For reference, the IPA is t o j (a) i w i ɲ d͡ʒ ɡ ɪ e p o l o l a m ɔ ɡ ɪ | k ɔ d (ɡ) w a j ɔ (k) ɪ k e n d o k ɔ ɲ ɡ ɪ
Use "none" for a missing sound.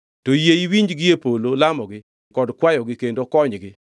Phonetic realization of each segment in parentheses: e, k, ɡ

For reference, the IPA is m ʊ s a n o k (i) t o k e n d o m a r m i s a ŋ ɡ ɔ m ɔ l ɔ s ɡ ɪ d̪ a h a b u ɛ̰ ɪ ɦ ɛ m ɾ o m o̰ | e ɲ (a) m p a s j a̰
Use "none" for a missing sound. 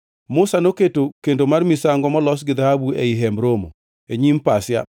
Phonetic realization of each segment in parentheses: e, i

